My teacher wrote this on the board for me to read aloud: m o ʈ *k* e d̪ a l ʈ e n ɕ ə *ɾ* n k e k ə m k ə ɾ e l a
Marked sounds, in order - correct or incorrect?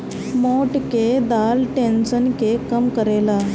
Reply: correct, incorrect: none

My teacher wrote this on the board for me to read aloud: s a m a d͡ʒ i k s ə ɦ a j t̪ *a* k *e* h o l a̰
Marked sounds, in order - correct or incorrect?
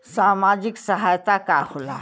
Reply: correct, incorrect: a

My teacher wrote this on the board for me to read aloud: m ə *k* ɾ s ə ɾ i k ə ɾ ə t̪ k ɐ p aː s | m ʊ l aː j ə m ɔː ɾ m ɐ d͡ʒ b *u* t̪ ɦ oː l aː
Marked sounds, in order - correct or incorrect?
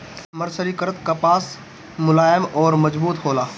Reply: incorrect: none, incorrect: uː

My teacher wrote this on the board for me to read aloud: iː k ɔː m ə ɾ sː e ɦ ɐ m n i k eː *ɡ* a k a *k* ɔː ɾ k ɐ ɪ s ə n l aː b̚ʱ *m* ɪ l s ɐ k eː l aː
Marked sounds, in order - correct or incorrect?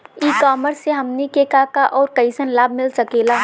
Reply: incorrect: k, incorrect: ʔ, correct

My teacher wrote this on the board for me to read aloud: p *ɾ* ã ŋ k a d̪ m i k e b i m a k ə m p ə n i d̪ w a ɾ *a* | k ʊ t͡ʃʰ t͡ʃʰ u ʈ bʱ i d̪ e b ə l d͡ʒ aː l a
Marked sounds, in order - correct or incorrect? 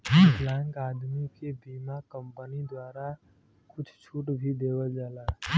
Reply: incorrect: l, correct

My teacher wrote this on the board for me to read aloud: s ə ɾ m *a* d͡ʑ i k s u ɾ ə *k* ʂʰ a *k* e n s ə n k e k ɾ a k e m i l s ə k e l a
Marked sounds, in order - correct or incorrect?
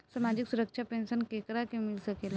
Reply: correct, correct, incorrect: p

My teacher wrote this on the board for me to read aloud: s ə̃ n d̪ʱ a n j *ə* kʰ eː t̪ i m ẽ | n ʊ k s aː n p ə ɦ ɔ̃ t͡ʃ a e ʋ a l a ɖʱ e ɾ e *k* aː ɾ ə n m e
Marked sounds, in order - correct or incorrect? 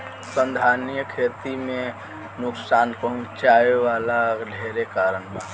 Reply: correct, correct

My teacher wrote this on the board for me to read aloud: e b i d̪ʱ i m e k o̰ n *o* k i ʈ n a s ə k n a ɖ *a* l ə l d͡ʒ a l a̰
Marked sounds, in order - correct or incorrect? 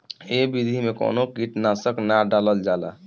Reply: correct, correct

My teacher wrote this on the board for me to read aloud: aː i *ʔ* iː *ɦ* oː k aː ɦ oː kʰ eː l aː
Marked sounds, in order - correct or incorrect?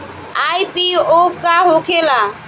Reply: incorrect: p, incorrect: none

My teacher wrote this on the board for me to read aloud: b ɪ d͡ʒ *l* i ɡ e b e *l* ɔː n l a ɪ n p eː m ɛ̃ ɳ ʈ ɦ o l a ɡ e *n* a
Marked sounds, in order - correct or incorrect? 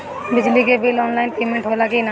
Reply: correct, correct, correct

